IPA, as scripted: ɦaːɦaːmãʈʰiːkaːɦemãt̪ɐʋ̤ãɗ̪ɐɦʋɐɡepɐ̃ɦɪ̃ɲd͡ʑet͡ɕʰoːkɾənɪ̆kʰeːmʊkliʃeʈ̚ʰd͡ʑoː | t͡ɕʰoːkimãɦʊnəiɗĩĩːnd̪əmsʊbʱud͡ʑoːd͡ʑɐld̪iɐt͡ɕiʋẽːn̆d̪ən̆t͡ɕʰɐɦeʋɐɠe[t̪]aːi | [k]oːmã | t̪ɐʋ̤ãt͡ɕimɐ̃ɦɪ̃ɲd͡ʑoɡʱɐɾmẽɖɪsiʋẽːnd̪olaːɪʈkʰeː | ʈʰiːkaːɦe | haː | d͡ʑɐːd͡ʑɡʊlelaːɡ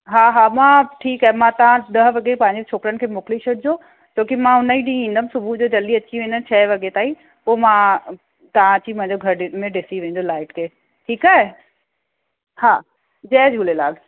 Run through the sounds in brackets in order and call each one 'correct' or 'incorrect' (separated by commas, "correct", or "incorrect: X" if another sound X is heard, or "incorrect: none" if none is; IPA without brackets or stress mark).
correct, incorrect: p